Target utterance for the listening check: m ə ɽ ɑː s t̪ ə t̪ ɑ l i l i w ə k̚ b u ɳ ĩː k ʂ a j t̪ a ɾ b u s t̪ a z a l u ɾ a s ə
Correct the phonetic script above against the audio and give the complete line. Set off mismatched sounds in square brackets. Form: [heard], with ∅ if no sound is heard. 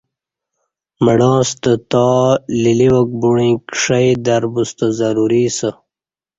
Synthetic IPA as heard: m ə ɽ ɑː s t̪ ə t̪ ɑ l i l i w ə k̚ b u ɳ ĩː k ʂ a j [d̪] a ɾ b u s t̪ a z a [ɾ] u ɾ [i] s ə

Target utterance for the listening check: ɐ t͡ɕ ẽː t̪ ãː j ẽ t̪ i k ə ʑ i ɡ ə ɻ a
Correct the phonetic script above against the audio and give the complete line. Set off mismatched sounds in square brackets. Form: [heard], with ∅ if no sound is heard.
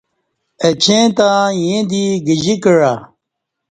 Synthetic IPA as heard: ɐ t͡ɕ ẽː t̪ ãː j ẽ [d̪] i [ɡ] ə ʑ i [k] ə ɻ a

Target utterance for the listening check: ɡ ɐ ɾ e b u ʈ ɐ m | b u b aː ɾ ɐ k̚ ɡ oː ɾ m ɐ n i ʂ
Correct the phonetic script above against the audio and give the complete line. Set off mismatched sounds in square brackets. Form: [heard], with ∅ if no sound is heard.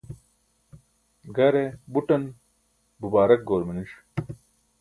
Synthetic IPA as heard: ɡ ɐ ɾ e b u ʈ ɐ [n] | b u b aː ɾ ɐ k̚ ɡ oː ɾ m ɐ n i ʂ

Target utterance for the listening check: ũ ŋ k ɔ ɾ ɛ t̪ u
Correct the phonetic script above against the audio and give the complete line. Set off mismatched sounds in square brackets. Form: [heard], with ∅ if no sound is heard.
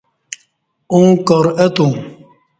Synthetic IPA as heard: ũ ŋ k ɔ ɾ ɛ t̪ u

